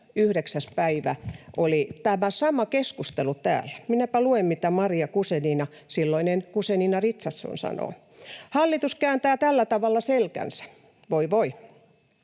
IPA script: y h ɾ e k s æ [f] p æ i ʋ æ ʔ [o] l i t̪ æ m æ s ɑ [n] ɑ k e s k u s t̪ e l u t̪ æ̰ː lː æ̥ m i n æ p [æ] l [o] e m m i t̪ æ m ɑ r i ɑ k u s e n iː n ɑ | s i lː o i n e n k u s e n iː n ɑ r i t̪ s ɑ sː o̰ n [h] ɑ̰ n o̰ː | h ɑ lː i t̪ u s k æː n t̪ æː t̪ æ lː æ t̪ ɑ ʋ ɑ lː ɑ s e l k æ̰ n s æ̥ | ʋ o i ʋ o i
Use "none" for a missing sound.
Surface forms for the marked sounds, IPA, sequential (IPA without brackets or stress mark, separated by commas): s, o, m, æ, u, s